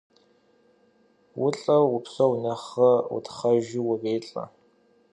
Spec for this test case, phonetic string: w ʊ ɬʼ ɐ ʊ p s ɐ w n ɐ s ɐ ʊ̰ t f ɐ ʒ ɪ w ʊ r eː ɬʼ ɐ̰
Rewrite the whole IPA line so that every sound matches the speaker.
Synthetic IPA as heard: w ʊ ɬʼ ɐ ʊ p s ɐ w n ɐ χ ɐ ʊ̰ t χ ɐ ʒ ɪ w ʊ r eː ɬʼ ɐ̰